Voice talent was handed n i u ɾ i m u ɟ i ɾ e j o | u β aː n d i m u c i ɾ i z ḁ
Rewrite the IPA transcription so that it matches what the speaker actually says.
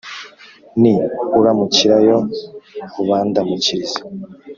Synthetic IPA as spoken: n i u ɾ a m u c i ɾ a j o | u β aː n d a m u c i ɾ i z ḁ

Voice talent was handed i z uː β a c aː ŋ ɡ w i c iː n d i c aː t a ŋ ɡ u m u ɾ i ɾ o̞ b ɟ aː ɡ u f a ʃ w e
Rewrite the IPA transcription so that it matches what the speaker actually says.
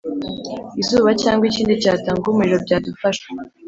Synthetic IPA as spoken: i z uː β a c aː ŋ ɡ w i c iː n d i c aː t a ŋ ɡ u m u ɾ i ɾ o̞ b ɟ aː d u f a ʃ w e

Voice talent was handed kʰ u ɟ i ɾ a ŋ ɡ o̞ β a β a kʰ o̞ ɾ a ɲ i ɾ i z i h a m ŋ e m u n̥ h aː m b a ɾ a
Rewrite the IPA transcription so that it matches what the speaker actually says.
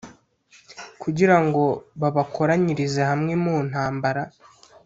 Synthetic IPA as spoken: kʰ u ɟ i ɾ a ŋ ɡ o̞ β a β a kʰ o̞ ɾ a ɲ i ɾ i z e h a m ŋ e m u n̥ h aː m b a ɾ a

